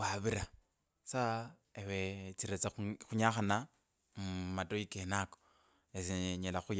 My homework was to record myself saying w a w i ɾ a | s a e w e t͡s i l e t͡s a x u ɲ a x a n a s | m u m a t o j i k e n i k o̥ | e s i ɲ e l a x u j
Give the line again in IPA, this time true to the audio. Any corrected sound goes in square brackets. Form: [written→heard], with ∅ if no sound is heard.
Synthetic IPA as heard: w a [w→β] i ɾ a | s a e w e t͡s i [l→ɾ] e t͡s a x u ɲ a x a n a [s→∅] | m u m a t o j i k e n [i→a] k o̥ | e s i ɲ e l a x u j